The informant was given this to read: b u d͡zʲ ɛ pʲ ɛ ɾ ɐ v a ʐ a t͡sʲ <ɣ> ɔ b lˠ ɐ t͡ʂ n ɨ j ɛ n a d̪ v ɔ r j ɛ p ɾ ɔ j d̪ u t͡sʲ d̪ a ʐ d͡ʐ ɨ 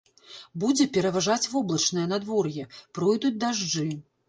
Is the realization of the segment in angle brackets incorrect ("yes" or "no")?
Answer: yes